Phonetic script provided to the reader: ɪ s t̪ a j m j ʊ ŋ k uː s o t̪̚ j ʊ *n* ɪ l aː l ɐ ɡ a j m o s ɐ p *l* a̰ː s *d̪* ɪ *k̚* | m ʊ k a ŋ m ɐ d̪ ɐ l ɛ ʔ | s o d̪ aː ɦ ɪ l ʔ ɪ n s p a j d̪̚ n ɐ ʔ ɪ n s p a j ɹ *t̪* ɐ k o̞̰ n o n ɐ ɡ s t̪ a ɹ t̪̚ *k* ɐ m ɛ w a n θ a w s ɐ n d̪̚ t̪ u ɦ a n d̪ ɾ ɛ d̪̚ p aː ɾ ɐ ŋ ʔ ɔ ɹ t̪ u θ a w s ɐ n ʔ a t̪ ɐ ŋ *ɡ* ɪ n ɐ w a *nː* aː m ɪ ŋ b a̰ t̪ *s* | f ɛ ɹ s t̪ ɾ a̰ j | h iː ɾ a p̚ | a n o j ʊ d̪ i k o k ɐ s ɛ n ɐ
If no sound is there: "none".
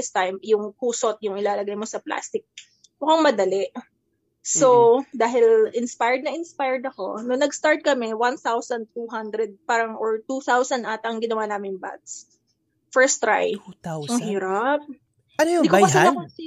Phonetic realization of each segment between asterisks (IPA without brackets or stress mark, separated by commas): ŋ, l, t̪, k̚, d̪, k, ɡ, n, s